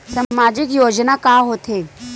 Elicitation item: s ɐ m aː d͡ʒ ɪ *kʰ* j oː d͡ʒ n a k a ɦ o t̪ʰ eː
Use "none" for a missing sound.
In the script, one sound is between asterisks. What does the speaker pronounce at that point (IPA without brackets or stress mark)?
k